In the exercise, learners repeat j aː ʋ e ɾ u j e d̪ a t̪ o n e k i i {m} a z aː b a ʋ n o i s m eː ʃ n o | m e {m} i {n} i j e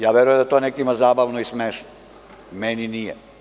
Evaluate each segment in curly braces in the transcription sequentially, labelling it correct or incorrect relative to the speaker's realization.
correct, incorrect, correct

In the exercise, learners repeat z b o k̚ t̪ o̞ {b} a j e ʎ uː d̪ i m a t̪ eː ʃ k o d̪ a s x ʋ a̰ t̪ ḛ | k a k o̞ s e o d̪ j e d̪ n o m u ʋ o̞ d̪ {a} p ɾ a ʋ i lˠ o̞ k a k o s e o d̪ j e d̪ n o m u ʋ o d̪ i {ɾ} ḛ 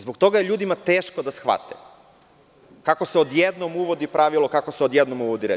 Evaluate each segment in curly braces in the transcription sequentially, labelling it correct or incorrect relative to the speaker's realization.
incorrect, incorrect, correct

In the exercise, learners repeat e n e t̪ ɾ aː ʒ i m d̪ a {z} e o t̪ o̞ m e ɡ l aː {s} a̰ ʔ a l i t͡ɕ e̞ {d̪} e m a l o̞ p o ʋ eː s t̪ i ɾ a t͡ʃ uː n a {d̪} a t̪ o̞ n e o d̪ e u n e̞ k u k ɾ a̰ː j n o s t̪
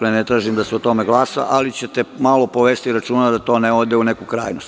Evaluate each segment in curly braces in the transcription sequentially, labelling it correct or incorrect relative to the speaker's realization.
incorrect, correct, incorrect, correct

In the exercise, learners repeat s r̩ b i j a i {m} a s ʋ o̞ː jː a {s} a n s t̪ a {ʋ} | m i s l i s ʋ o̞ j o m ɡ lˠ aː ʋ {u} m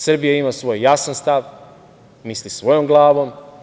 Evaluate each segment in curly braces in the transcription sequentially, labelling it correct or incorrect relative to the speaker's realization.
correct, correct, correct, incorrect

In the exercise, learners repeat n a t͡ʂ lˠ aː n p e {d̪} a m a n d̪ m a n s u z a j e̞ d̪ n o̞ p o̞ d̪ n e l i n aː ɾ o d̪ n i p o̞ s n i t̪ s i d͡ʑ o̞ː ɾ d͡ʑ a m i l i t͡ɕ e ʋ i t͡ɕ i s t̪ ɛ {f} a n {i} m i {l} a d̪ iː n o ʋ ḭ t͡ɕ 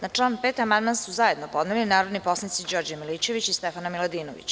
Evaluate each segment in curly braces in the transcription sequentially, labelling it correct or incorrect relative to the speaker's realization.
incorrect, correct, incorrect, correct

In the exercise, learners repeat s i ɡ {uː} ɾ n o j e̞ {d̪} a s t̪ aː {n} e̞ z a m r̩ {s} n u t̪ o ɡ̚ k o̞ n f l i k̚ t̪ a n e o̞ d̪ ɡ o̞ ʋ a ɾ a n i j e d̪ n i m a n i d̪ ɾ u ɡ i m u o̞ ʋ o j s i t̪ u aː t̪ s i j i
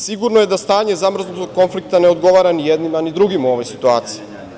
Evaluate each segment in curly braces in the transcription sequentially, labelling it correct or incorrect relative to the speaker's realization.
incorrect, correct, incorrect, incorrect

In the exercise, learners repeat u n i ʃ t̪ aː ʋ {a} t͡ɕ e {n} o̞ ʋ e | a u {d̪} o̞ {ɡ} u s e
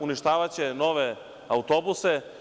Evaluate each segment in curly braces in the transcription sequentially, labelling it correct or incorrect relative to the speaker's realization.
correct, correct, incorrect, incorrect

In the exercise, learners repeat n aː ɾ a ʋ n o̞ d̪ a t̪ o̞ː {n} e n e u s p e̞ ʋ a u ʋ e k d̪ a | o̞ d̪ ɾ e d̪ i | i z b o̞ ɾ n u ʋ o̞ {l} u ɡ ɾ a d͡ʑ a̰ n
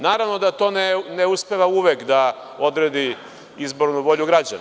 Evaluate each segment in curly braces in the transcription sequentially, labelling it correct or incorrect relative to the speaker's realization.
correct, incorrect

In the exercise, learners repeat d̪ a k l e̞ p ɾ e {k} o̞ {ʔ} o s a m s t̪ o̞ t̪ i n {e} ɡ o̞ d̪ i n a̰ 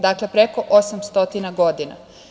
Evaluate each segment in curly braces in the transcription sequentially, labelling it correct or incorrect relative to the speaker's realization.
correct, correct, incorrect

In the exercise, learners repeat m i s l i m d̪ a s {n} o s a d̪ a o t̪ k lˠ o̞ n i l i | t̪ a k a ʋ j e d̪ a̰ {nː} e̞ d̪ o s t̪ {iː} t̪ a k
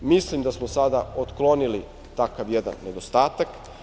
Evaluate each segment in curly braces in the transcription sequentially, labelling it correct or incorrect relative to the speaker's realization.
incorrect, correct, incorrect

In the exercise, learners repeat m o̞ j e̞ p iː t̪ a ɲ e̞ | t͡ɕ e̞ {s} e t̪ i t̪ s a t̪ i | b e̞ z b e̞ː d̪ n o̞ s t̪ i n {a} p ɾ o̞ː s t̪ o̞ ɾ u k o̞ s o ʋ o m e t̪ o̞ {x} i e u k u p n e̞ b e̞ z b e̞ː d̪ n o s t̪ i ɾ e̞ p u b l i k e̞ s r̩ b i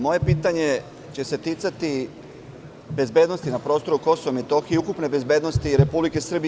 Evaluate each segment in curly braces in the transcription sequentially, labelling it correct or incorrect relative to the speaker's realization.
correct, correct, correct

